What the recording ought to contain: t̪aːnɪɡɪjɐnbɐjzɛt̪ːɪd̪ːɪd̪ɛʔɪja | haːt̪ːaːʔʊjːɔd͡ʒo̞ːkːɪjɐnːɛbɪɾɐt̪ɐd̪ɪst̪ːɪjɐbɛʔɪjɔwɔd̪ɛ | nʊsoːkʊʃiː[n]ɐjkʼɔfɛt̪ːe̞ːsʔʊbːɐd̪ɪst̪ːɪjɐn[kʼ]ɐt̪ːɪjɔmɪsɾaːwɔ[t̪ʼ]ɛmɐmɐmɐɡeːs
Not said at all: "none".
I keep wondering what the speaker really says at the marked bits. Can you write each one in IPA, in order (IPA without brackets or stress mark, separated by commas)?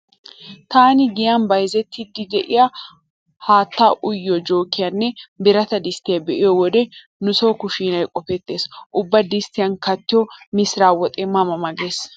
n, k, t̪ʼ